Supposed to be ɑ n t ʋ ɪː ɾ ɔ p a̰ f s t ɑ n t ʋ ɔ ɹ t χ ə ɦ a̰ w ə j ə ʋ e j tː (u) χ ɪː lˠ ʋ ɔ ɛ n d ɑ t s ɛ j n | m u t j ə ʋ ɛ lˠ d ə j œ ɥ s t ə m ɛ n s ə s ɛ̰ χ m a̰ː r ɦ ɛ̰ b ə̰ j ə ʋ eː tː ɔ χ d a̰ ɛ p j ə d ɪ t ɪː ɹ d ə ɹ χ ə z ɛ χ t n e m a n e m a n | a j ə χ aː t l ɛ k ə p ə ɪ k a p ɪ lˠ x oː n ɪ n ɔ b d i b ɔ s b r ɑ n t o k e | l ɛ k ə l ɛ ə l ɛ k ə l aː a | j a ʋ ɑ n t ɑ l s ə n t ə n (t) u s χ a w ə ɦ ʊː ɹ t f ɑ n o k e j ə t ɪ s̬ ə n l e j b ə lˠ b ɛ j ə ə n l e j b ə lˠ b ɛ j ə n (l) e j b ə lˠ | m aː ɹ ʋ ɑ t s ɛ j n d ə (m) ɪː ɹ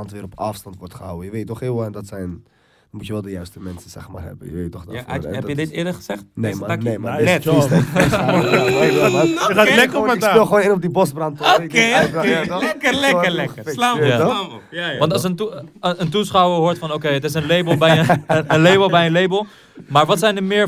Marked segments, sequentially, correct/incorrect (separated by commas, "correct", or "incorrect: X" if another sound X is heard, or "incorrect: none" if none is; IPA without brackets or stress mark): incorrect: ɔ, correct, correct, correct